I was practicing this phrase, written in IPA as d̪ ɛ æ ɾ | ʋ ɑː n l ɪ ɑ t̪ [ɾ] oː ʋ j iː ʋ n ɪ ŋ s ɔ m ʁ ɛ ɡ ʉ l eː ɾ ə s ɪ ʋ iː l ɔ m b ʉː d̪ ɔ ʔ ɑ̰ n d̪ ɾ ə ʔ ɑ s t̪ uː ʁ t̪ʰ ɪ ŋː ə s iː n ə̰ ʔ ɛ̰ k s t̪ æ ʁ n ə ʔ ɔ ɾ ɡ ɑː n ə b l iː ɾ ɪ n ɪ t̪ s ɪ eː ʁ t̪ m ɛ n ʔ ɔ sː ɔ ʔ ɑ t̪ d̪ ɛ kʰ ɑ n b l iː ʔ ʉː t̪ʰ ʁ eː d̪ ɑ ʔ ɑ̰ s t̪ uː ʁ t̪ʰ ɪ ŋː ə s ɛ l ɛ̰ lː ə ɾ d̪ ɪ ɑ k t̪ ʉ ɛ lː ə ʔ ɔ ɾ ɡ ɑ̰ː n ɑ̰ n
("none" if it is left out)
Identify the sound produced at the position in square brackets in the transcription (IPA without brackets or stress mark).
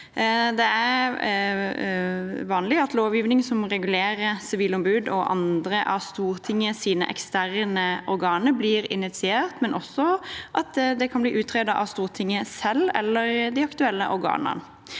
l